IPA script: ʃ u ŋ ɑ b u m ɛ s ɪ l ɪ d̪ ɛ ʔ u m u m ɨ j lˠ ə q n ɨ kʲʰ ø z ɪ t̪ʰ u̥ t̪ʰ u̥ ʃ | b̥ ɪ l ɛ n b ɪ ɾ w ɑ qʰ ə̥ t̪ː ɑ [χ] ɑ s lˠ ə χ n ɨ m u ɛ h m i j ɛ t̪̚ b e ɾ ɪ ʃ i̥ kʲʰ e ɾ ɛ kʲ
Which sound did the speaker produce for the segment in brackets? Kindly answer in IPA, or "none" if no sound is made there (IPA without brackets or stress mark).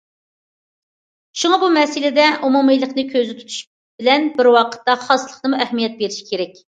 χ